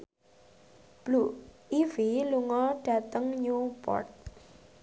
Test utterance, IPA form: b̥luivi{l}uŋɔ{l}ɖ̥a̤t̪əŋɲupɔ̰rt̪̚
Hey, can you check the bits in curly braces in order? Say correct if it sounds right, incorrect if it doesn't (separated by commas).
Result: correct, incorrect